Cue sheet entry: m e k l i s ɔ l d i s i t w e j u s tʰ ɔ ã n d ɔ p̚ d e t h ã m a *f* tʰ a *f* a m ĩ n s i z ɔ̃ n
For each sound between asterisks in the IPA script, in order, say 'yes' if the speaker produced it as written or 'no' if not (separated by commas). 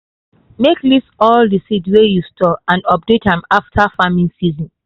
yes, yes